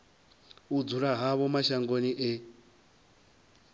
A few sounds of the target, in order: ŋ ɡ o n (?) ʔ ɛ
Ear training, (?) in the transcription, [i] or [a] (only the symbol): i